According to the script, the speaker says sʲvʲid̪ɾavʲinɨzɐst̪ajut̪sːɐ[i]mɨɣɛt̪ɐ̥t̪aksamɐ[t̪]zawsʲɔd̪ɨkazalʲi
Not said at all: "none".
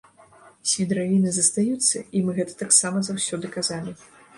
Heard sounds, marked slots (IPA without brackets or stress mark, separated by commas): i, none